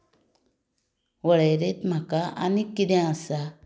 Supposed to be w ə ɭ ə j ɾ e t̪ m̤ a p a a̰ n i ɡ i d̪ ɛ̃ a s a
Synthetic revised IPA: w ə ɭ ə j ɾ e t̪ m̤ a k a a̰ n i k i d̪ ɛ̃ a s a